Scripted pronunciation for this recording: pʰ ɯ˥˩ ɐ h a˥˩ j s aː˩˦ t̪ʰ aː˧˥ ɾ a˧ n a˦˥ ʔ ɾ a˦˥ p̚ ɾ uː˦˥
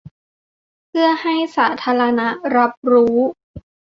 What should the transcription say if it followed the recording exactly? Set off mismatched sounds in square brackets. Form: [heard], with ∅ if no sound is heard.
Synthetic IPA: pʰ ɯ˥˩ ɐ h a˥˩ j s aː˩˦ t̪ʰ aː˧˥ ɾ a˧ n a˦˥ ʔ ɾ a˦˥ p̚ ɾ uː˦˥

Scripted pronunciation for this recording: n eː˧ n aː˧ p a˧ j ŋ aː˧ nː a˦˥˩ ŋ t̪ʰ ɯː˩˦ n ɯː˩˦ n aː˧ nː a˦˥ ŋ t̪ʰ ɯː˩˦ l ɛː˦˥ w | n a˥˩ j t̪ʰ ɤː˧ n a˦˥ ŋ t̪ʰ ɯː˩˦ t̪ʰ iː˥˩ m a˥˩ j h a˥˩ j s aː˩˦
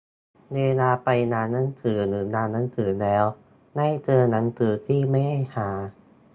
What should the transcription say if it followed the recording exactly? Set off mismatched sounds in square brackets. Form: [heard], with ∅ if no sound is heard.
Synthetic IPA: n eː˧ n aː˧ p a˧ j [n] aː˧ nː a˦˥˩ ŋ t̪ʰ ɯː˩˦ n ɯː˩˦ n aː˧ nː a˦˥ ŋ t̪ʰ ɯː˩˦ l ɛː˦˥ w | n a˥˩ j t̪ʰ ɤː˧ n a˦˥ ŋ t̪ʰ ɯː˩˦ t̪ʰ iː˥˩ m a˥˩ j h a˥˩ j [h] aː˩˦

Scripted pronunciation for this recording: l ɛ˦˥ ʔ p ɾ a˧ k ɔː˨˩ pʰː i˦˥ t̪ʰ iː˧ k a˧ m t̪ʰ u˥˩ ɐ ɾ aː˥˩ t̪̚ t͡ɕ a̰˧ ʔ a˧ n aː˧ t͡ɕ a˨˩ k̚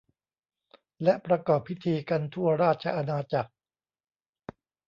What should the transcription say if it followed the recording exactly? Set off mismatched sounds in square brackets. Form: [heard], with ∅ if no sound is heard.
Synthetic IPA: l ɛ˦˥ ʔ p ɾ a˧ k ɔː˨˩ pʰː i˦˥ t̪ʰ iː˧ k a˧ [n] t̪ʰ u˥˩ ɐ ɾ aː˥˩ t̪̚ [t͡ɕʰ] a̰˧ ʔ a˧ n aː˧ t͡ɕ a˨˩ k̚

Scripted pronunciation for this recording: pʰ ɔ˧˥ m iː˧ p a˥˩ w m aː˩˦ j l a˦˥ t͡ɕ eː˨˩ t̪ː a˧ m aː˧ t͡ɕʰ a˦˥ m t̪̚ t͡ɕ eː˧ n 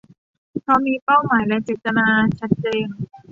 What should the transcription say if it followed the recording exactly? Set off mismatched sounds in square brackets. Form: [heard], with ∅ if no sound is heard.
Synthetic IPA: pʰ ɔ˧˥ m iː˧ p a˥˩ w m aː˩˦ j l [ɛ˦˥] t͡ɕ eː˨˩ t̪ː a˧ [n] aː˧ t͡ɕʰ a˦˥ [∅] t̪̚ t͡ɕ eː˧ n

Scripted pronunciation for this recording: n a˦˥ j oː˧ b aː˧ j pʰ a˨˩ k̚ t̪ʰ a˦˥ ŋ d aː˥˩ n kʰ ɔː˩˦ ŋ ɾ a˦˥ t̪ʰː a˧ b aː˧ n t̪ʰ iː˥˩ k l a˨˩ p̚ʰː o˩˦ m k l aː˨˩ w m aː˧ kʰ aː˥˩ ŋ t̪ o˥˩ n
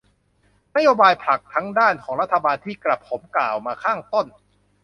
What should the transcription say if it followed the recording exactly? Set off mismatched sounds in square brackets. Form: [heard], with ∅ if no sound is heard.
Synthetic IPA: n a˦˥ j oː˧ b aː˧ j pʰ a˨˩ k̚ t̪ʰ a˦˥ ŋ d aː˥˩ n kʰ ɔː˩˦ ŋ ɾ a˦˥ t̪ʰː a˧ b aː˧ n t̪ʰ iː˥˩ k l a˨˩ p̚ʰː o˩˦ m k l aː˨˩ w m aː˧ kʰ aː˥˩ ŋ t̪ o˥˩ n

